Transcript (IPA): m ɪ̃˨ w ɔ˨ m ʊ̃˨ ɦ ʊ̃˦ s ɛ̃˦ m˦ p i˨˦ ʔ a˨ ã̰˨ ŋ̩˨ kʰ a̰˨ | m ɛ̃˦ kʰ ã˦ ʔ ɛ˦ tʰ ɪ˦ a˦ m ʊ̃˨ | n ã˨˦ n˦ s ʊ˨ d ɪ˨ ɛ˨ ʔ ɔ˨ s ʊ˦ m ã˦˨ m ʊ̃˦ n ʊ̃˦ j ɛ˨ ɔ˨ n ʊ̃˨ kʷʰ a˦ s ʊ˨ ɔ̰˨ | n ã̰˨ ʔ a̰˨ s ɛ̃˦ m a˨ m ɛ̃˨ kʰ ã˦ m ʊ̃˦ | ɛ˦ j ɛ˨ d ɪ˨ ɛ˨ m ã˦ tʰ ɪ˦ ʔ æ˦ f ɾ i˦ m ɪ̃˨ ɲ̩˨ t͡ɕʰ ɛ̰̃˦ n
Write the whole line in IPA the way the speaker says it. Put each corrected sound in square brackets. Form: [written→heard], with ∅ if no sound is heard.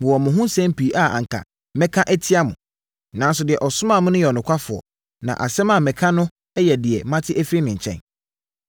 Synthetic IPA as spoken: m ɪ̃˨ w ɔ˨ m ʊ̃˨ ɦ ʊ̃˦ s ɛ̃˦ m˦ p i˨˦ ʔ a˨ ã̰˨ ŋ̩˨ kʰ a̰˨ | m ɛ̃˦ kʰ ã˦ ʔ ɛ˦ tʰ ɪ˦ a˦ m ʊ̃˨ | n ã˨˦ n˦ s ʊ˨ d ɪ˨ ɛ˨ ʔ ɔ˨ s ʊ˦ m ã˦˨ m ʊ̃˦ n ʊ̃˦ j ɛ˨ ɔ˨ n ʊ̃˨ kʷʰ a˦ [s→f] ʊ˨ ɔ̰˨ | n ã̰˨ ʔ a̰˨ s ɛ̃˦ m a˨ m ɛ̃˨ kʰ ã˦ [m→n] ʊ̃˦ | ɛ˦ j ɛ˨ d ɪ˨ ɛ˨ m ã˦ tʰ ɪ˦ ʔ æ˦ f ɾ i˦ [m→n] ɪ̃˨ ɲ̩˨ t͡ɕʰ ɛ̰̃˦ n

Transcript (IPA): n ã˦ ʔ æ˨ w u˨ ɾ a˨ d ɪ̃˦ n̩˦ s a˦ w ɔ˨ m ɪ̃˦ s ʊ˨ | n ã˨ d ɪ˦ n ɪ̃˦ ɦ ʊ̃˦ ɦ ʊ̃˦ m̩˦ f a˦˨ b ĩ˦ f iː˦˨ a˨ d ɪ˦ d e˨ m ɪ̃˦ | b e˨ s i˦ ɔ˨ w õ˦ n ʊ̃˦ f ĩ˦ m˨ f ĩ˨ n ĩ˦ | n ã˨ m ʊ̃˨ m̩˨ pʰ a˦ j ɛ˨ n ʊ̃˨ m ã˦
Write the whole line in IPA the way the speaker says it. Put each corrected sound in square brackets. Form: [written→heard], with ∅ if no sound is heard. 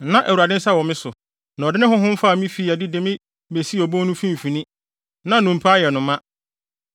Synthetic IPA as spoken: n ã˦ ʔ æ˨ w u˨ ɾ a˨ d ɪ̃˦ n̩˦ s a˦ w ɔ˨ m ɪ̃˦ s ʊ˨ | n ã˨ d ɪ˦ n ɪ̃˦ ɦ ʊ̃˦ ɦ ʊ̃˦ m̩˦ f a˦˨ [b→m] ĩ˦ f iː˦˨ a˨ d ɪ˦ d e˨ m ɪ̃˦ | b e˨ s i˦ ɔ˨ [w→b] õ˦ n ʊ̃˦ f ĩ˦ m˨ f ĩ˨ n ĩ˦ | n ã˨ [m→n] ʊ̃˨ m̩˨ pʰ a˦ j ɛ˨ n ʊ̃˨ m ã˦

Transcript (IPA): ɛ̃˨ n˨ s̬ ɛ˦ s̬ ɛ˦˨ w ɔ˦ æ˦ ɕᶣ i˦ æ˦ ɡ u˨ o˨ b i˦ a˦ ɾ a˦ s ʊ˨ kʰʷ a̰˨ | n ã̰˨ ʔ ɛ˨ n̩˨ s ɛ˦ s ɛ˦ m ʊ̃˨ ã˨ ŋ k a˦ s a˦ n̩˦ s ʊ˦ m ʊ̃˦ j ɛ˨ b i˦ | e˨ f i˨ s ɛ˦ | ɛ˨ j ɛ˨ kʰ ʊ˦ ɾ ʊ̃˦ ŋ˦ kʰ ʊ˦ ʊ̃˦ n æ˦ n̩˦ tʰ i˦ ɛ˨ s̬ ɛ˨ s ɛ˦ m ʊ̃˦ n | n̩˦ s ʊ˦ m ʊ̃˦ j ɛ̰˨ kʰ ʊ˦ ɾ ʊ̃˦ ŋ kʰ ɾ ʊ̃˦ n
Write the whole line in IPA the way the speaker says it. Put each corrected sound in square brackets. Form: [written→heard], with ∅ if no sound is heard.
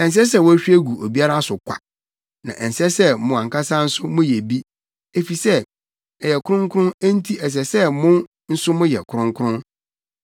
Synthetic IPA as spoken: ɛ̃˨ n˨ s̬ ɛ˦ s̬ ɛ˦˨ w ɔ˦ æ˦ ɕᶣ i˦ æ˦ ɡ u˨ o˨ b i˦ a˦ ɾ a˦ s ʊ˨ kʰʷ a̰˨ | n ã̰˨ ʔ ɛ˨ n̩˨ s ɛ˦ s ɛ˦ m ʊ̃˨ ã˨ ŋ k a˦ s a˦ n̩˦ s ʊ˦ m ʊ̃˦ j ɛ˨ b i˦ | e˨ f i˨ s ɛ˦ | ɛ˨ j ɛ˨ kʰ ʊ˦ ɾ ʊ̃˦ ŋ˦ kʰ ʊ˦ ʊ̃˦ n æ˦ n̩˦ tʰ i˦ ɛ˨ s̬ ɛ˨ s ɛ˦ m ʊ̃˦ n | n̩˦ s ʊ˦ m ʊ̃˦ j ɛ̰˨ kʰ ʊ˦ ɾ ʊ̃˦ ŋ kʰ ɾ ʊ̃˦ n

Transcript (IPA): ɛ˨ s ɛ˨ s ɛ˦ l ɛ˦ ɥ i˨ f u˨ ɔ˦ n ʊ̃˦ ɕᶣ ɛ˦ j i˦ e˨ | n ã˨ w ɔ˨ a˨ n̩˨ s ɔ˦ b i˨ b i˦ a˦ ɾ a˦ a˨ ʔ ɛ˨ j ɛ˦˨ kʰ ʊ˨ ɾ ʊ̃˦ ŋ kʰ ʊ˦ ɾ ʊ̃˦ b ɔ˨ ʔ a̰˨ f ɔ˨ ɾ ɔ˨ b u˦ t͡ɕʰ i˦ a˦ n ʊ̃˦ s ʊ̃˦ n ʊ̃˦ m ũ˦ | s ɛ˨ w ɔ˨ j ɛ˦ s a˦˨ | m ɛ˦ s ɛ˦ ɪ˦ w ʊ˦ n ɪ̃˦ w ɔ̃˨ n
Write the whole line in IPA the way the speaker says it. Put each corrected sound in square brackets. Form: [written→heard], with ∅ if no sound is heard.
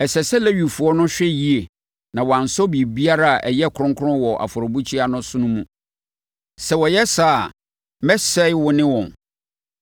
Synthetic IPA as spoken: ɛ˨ s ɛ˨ s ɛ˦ l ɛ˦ ɥ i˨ f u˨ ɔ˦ n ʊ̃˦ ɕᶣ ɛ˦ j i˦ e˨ | n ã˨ w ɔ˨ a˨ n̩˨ s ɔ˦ b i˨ b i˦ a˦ ɾ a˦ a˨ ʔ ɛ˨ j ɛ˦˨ kʰ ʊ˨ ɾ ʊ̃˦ ŋ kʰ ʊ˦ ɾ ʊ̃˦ [b→w] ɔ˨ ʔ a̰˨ f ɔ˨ ɾ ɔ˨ b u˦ t͡ɕʰ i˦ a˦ n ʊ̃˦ s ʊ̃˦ n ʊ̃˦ m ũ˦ | s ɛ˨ w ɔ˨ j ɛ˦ s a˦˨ | m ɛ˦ s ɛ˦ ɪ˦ w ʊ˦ n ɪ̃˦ w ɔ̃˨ n

